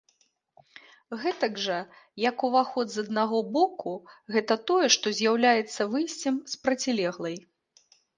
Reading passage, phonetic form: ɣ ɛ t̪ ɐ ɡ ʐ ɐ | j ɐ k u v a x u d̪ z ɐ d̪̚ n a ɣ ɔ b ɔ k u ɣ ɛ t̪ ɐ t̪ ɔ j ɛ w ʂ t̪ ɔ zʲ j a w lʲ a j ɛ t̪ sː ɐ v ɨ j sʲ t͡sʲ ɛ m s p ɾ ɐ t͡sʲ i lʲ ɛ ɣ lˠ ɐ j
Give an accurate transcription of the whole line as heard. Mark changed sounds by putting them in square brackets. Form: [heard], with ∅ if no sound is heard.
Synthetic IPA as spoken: ɣ ɛ t̪ ɐ ɡ ʐ ɐ | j ɐ k u v a x [ɔ] d̪ z ɐ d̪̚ n a ɣ ɔ b ɔ k u ɣ ɛ t̪ ɐ t̪ ɔ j ɛ [∅] ʂ t̪ ɔ zʲ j a w lʲ a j ɛ t̪ sː ɐ v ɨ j sʲ t͡sʲ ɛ m s p ɾ ɐ t͡sʲ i lʲ ɛ ɣ lˠ ɐ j